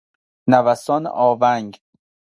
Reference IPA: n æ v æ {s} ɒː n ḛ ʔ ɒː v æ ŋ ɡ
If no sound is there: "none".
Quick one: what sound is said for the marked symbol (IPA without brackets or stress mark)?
s